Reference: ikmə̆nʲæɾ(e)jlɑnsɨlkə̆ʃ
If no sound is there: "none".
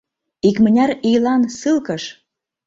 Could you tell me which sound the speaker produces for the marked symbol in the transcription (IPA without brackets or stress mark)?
i